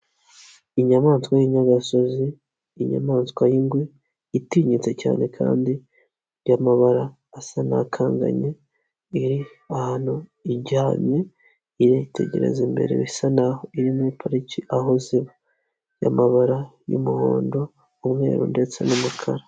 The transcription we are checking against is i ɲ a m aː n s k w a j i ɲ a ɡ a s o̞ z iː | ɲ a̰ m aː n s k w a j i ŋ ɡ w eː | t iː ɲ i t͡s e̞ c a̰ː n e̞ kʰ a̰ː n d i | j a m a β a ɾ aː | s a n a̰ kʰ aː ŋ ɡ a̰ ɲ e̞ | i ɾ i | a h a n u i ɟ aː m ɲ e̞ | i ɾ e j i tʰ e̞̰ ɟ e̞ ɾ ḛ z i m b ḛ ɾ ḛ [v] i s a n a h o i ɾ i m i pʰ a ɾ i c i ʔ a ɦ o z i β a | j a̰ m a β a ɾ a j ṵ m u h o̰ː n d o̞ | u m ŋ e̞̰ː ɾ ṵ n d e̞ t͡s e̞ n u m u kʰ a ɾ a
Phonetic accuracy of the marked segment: incorrect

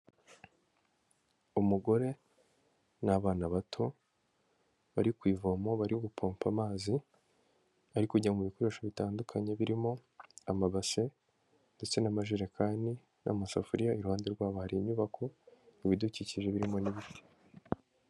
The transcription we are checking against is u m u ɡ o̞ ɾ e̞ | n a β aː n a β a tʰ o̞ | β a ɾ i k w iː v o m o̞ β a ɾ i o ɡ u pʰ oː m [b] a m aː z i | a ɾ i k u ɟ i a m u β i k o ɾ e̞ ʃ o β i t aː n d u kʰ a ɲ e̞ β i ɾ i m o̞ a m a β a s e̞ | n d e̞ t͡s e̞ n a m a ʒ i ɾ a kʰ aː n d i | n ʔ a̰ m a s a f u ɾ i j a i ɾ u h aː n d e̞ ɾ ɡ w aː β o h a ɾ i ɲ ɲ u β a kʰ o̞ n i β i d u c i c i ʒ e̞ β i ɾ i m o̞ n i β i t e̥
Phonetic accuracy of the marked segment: incorrect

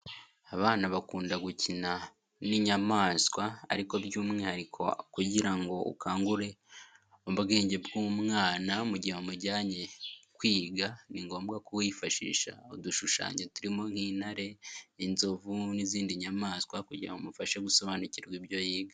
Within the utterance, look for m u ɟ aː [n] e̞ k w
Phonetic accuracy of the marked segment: incorrect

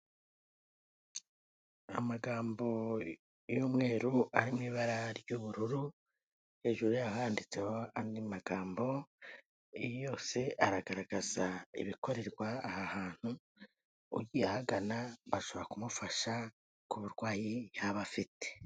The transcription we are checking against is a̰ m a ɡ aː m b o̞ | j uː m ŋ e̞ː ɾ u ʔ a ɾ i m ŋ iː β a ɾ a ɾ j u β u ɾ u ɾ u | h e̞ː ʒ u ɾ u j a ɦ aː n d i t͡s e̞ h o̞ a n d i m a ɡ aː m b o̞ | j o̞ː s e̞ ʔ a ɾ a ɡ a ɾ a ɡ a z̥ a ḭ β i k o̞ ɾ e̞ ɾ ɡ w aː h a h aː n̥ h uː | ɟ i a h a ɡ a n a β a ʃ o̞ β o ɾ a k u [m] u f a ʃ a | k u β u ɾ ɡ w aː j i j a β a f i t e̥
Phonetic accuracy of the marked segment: correct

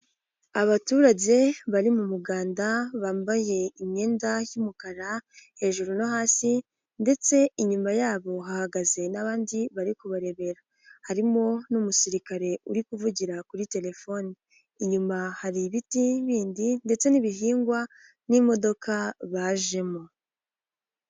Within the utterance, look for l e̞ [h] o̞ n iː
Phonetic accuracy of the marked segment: incorrect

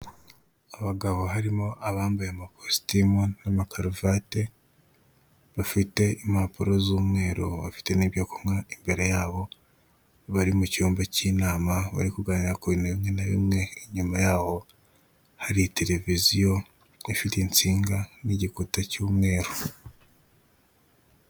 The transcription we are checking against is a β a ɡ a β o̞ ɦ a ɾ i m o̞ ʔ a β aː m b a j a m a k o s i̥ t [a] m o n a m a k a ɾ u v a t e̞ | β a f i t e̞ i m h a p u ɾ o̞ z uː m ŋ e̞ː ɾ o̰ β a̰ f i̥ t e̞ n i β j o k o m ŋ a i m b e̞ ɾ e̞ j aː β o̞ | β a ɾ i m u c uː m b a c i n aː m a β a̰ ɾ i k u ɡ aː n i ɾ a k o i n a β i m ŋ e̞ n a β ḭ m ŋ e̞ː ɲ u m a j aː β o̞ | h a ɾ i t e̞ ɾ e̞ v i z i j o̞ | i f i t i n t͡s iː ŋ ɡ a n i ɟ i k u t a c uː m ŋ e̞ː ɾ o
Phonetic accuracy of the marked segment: incorrect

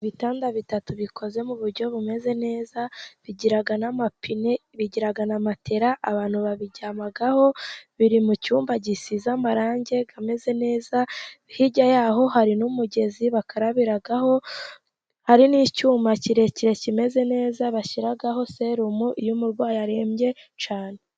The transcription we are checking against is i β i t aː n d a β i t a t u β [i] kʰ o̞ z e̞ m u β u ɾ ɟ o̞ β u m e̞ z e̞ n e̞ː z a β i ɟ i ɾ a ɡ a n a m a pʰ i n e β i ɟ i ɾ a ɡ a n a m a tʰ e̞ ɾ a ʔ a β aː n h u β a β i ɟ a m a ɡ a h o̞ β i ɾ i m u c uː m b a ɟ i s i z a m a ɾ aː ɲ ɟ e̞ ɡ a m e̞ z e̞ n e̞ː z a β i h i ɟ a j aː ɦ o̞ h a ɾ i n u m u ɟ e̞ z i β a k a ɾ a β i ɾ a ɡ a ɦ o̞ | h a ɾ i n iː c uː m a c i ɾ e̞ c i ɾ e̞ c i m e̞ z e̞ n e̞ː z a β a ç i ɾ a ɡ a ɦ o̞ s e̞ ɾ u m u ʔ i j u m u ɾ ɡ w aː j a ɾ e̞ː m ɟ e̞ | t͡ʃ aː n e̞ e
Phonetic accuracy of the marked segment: correct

